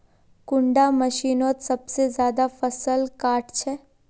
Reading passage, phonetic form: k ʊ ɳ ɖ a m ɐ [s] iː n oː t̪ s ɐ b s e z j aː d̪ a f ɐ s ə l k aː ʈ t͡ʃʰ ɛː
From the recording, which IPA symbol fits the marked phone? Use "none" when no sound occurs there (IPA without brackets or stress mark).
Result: ʃ